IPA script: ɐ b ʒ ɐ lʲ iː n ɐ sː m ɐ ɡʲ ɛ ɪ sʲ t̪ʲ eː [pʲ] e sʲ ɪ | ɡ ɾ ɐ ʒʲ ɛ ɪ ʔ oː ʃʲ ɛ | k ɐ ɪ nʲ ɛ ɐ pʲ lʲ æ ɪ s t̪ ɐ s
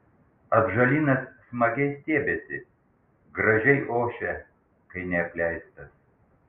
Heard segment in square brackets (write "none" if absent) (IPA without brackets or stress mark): bʲ